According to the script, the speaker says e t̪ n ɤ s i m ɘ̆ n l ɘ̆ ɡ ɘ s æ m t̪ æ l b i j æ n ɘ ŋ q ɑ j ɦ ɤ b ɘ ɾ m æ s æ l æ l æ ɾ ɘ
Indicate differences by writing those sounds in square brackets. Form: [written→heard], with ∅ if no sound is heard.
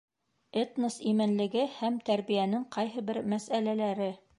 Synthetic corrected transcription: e t̪ n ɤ s i m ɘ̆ n l ɘ̆ ɡ ɘ [s→h] æ m t̪ æ [l→ɾ] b i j æ n ɘ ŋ q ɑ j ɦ ɤ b ɘ ɾ m æ s æ l æ l æ ɾ ɘ

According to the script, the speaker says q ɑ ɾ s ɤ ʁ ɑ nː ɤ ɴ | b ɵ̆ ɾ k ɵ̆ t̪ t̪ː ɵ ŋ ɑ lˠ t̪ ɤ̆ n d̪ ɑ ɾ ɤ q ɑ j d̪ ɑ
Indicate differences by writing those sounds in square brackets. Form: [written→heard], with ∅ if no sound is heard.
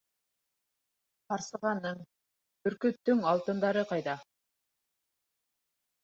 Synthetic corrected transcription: q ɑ ɾ s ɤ ʁ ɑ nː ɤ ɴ | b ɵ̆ ɾ k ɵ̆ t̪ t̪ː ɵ ŋ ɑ lˠ t̪ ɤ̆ n d̪ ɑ ɾ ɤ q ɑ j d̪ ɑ

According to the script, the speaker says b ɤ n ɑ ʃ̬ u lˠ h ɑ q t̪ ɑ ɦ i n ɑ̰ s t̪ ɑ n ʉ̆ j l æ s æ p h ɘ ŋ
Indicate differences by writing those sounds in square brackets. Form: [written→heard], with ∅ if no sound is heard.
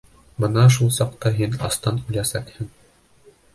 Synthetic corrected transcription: b ɤ n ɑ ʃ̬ u lˠ [h→s] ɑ q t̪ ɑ ɦ i n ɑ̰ s t̪ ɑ n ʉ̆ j l æ s æ [p→k] h ɘ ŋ

